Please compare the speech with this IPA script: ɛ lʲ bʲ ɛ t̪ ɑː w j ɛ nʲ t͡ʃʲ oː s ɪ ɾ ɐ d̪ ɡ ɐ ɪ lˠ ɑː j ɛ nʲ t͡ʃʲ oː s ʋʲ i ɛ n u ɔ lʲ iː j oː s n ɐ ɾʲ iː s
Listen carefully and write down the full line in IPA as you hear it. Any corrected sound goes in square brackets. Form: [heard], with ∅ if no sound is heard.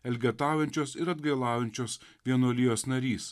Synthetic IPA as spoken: ɛ lʲ [ɡʲ] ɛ t̪ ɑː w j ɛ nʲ t͡ʃʲ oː s ɪ ɾ ɐ d̪ ɡ ɐ ɪ lˠ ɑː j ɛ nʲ t͡ʃʲ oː s ʋʲ i ɛ n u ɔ lʲ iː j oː s n ɐ ɾʲ iː s